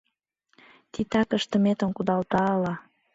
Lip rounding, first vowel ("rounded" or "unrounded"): unrounded